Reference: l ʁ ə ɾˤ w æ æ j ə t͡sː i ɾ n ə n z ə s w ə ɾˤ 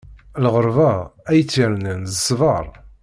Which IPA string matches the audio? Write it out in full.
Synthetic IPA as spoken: l ʁ ə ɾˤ v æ æ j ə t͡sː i ɾ n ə n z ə s v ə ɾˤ